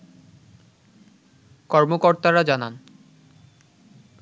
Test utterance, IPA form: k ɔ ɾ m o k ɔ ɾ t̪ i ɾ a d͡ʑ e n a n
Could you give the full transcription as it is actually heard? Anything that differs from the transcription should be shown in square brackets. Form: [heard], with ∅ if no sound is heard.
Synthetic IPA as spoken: k ɔ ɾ m o k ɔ ɾ t̪ [a] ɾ a d͡ʑ [a] n a n